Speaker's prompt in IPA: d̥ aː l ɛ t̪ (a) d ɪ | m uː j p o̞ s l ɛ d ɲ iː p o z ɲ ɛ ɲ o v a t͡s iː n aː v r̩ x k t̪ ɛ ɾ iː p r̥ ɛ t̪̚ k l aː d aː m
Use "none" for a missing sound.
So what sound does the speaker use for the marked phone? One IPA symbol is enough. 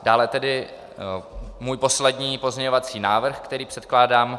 ɛ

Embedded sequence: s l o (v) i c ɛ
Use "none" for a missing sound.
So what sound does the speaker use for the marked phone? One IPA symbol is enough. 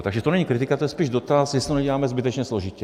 ʒ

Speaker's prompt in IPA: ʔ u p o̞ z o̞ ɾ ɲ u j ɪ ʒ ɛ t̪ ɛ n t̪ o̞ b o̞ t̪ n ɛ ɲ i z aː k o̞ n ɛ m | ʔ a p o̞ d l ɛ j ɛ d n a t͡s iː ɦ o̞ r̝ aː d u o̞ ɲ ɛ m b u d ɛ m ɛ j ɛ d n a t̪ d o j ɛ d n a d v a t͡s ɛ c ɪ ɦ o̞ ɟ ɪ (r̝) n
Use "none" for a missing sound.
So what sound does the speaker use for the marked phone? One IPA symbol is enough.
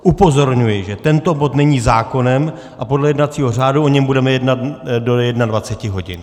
none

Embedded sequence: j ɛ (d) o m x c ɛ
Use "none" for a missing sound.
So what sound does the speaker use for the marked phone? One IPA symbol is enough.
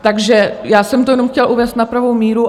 n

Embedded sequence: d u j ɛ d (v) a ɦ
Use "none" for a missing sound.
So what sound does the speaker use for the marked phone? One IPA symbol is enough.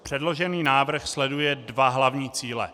v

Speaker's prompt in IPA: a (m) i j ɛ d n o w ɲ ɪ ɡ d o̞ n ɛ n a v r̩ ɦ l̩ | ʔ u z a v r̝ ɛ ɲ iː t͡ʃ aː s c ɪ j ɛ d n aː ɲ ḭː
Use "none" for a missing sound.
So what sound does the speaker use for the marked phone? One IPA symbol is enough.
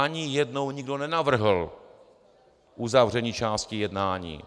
ɲ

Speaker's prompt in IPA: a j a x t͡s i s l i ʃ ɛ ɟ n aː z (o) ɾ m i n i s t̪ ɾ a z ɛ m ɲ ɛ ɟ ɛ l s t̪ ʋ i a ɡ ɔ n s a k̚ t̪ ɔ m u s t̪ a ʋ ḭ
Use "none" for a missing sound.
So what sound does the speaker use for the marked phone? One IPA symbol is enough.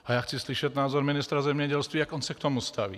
ɔ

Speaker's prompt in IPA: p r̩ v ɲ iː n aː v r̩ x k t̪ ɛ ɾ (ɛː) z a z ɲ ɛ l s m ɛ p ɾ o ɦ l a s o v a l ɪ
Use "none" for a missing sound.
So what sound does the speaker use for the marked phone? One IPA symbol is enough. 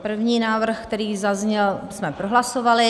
iː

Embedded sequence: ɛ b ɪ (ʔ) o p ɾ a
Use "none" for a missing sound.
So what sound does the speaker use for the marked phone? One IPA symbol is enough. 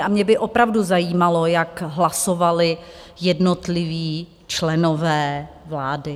ʔ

